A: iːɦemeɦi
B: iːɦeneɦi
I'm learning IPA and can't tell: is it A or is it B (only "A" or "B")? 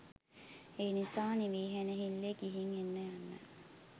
B